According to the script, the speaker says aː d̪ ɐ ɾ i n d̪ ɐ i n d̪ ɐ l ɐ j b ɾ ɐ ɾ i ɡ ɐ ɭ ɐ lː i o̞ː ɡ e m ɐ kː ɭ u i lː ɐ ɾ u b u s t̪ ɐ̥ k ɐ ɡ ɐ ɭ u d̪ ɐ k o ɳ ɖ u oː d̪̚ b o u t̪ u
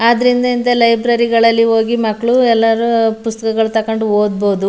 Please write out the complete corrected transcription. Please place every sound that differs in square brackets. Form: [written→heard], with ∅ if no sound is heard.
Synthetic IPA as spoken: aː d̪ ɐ ɾ i n d̪ ɐ i n d̪ ɐ l ɐ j b ɾ ɐ ɾ i ɡ ɐ ɭ ɐ lː i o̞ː ɡ [e→i] m ɐ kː ɭ u [i→ɛ] lː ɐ ɾ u [b→p] u s t̪ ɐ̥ k ɐ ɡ ɐ ɭ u [d̪→t̪] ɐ k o ɳ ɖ u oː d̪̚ b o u [t̪→d̪] u

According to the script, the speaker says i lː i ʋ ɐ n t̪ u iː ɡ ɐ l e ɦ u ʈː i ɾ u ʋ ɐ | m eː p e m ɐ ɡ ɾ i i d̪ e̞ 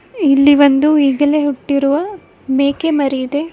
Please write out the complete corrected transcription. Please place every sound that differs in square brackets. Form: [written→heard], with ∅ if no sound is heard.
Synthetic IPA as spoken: i lː i ʋ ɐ n [t̪→d̪] u iː ɡ ɐ l e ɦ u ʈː i ɾ u ʋ ɐ | m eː [p→k] e m ɐ [ɡ→∅] ɾ i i d̪ e̞

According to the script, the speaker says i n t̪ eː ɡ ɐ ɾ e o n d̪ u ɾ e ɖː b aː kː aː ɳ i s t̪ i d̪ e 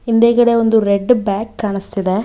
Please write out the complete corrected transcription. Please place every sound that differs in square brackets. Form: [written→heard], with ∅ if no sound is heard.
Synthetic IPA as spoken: i n [t̪→d̪] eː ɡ ɐ [ɾ→ɽ] e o n d̪ u ɾ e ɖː b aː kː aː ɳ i s t̪ i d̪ e

